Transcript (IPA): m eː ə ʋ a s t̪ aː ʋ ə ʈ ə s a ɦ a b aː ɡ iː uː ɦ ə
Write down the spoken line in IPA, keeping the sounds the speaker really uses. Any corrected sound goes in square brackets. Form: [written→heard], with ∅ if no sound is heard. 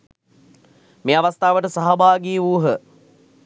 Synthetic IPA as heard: m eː [ə→a] ʋ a s t̪ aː ʋ ə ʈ ə s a ɦ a b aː ɡ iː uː ɦ ə